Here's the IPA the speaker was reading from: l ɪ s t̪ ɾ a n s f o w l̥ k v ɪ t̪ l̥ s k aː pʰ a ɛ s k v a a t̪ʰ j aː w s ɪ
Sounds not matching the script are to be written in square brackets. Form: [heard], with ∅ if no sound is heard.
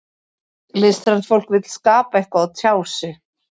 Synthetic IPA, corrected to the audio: l ɪ s t̪ ɾ a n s f o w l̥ k v ɪ t̪ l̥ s k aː [p] a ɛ [h] k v a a t̪ʰ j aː w s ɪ